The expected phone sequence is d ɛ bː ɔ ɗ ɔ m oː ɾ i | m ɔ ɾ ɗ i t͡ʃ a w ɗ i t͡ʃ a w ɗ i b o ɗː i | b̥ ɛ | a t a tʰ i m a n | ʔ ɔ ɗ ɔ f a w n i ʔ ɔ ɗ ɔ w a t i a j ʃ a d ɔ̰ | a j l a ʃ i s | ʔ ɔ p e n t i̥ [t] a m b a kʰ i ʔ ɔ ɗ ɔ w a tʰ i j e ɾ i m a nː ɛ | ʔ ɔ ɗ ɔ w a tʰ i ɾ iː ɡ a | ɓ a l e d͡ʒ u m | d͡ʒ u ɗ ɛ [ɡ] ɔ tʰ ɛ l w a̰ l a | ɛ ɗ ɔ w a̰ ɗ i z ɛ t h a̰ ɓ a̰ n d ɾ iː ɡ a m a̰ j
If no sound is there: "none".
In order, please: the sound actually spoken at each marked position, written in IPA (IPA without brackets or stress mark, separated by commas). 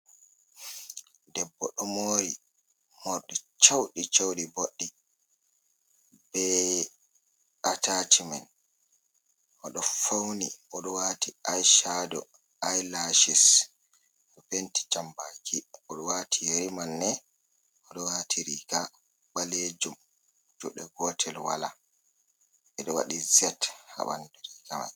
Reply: t͡ʃ, ɡ